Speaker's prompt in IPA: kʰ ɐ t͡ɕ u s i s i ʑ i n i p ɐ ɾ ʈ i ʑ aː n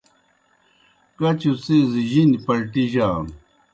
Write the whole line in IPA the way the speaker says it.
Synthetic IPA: k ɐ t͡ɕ u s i z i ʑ i n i p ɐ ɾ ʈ i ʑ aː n